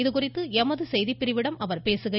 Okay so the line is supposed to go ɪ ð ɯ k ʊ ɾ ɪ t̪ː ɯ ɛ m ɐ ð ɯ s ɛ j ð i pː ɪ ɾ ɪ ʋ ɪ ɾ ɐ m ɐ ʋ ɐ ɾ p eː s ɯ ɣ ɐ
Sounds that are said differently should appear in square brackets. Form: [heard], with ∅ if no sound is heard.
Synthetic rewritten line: ɪ ð ɯ k ʊ [r] ɪ t̪ː ɯ ɛ m ɐ ð ɯ s ɛ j ð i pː ɪ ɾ ɪ ʋ ɪ [ɽ] ɐ m ɐ ʋ ɐ ɾ p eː s ɯ ɣ ɐ